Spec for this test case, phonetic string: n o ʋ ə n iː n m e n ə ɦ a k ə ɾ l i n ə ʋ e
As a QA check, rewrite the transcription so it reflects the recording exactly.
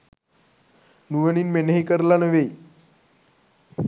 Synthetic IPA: n u ʋ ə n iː n m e n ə ɦ i k ə ɾ l a n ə ʋ e

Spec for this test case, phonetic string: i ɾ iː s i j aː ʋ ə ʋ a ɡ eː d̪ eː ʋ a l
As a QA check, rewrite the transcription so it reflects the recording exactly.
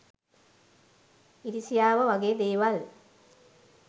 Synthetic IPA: i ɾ i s i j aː ʋ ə ʋ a ɡ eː d̪ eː ʋ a l

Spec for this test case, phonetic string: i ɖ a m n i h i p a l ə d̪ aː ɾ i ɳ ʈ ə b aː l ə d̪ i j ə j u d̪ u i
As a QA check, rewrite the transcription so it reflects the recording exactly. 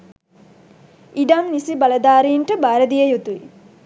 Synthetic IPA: i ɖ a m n i s i b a l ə d̪ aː ɾ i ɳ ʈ ə b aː ɾ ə d̪ i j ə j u t̪ u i

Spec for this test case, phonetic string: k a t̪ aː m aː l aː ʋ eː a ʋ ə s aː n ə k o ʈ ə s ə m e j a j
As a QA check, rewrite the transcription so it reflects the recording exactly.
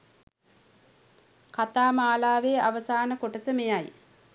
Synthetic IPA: k a t̪ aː m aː l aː ʋ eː a ʋ ə s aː n ə k o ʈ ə s ə m e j a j

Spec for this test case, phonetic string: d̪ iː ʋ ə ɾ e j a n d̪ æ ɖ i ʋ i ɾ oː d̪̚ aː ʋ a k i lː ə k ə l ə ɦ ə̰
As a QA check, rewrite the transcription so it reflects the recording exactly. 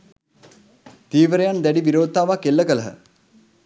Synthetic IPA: t̪ iː ʋ ə ɾ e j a n d̪ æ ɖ i ʋ i ɾ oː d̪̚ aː ʋ a k e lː ə k ə l ə ɦ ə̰

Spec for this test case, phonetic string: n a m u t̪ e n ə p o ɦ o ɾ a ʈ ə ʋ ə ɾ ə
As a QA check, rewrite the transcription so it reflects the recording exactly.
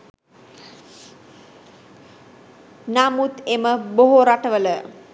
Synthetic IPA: n a m u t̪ e m ə b o ɦ o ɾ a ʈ ə ʋ ə l ə

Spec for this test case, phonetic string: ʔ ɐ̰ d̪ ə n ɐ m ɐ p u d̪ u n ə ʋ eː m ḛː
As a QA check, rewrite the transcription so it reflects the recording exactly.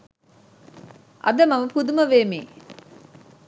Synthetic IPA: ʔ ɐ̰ d̪ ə m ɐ m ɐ p u d̪ u m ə ʋ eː m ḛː

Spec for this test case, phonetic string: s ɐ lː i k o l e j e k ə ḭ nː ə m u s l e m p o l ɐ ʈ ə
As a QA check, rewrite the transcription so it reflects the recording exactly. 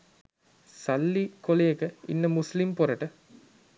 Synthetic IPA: s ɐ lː i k o l e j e k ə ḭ nː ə m u s l i m p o ɾ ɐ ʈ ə

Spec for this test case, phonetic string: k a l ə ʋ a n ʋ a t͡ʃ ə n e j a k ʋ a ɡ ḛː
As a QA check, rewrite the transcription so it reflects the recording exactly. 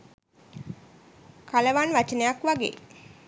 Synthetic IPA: k a l ə ʋ a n ʋ a t͡ʃ ə n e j a k ʋ a ɡ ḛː

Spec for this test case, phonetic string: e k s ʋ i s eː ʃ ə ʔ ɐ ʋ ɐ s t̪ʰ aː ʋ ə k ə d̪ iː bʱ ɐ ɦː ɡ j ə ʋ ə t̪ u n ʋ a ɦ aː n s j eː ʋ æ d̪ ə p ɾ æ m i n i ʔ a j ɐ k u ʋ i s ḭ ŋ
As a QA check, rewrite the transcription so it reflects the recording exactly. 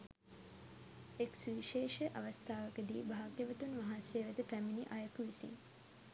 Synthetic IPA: e k s ʋ i ʃ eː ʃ ə ʔ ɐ ʋ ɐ s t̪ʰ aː ʋ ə k ə d̪ iː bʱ a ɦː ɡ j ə ʋ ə t̪ u n ʋ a ɦ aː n s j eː ʋ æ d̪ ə p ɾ æ m i n i ʔ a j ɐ k u ʋ i s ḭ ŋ

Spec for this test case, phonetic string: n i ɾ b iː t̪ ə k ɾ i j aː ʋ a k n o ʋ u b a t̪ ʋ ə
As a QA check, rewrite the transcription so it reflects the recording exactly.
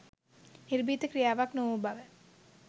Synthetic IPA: n i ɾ b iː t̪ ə k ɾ i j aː ʋ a k n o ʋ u b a ʋ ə

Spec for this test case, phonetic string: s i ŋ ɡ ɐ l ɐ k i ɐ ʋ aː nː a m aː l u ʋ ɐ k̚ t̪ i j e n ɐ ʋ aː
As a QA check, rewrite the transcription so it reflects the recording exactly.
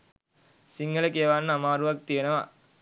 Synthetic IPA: s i ŋ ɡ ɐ l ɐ k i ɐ ʋ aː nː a m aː ɾ u ʋ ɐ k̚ t̪ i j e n ɐ ʋ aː

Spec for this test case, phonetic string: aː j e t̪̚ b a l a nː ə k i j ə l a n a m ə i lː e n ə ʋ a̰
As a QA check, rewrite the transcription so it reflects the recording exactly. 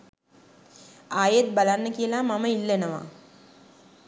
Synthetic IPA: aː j e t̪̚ b a l a nː ə k i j ə l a m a m ə i lː e n ə ʋ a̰

